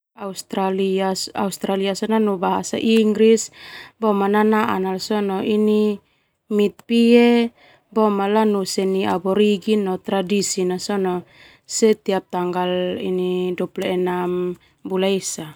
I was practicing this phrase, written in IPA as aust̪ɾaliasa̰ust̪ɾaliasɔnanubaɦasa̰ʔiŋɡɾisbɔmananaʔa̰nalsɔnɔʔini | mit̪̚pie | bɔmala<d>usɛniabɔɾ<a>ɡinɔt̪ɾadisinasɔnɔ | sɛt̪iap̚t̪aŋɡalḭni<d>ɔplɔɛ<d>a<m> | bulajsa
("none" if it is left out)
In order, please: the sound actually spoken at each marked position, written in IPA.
n, i, d, n, m

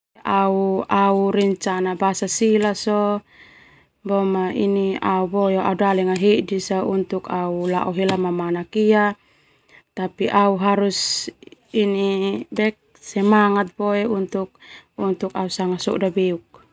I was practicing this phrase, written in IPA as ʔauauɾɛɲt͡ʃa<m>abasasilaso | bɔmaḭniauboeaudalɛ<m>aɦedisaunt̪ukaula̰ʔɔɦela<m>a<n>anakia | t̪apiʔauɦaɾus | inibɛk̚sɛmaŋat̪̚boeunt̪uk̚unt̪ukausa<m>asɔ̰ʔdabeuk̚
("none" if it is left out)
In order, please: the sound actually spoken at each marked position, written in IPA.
n, ŋ, m, m, ŋ

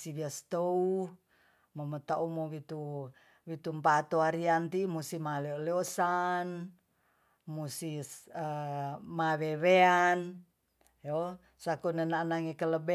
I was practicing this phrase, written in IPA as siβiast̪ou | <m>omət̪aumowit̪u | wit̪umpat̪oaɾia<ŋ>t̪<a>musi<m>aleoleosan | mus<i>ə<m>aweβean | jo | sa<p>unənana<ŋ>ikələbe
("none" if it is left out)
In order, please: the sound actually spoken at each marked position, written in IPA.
m, n, i, m, i, m, k, ŋ

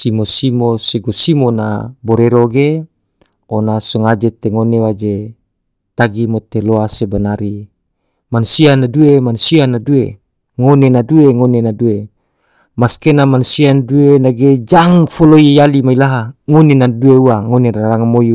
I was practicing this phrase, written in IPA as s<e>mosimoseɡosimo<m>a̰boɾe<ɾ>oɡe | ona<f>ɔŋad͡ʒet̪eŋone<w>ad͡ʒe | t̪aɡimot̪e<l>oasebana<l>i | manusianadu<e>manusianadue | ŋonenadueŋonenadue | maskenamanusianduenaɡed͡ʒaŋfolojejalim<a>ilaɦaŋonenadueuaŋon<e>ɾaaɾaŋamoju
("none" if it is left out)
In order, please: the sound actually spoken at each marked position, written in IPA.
i, n, ɾ, s, w, l, ɾ, e, a, e

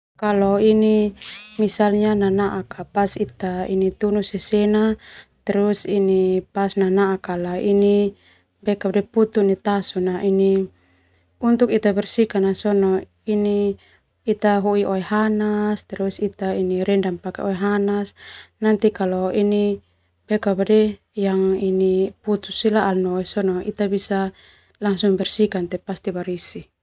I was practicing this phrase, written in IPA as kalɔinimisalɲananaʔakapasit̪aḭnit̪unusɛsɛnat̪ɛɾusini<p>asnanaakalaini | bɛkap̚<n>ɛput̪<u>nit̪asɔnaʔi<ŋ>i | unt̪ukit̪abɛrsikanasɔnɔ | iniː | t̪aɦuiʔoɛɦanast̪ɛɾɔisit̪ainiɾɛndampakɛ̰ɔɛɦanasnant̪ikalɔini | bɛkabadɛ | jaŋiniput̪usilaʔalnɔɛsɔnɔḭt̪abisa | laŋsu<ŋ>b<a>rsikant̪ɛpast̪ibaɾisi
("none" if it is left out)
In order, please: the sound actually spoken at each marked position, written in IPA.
p, d, u, n, ŋ, ɛ

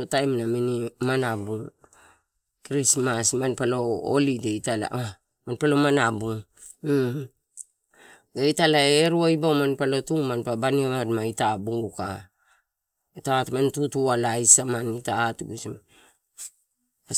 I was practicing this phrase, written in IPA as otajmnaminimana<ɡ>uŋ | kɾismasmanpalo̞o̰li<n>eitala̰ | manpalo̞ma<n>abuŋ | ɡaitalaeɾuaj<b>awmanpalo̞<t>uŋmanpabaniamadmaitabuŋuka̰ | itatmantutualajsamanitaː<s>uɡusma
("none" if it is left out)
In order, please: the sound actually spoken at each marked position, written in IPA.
b, d, n, b, t, t

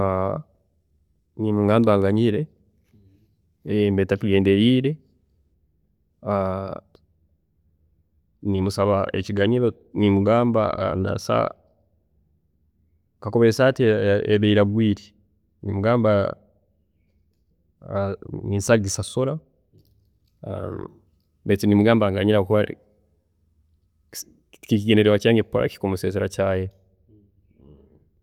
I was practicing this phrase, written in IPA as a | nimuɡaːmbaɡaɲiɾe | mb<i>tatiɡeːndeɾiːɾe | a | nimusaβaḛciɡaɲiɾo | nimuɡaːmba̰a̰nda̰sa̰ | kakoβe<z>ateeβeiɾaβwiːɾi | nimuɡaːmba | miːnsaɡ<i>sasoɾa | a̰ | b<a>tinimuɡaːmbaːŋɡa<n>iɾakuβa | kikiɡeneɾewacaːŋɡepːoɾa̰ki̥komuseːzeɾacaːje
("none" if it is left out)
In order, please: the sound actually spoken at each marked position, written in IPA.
e, s, i, e, ɲ

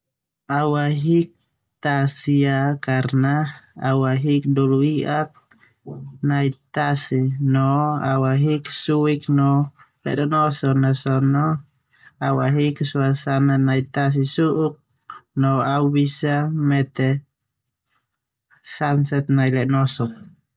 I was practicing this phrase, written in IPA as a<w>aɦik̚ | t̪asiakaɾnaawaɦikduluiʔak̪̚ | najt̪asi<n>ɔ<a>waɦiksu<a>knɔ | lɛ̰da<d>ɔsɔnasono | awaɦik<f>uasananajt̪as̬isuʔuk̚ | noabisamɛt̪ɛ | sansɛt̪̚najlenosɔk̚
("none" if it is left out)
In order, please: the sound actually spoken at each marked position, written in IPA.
w, n, a, i, n, s

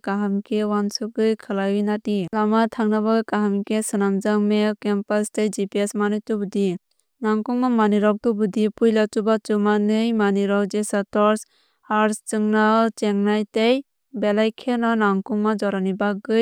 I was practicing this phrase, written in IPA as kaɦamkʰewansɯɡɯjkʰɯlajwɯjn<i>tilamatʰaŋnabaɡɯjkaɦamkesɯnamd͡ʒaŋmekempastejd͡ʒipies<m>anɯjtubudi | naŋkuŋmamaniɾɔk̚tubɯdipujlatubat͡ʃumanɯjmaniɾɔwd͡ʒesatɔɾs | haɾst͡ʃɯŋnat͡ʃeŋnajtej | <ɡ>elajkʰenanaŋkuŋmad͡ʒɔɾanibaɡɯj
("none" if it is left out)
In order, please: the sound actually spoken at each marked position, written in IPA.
a, m, b

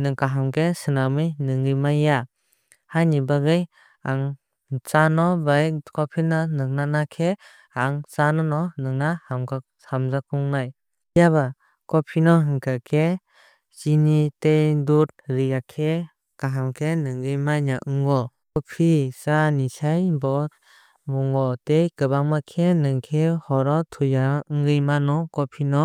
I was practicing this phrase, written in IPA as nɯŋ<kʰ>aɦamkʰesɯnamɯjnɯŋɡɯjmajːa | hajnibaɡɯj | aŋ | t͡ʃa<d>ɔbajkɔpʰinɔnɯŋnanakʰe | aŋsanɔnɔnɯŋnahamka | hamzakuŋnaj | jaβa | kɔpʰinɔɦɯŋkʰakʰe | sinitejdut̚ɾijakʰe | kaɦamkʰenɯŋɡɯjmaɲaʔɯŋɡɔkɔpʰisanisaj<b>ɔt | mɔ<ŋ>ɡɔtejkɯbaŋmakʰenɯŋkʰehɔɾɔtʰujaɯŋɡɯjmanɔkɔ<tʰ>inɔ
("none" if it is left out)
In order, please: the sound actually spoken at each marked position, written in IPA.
k, n, b, ŋ, pʰ

